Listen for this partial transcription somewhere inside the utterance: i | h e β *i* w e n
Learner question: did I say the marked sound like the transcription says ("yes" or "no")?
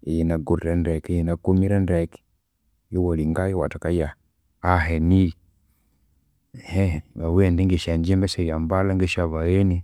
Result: no